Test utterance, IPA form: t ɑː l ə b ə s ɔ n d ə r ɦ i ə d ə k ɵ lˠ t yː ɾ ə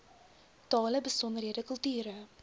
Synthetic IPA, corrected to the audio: t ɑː l ə b ə s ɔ n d ə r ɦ i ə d ə k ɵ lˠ t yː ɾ ə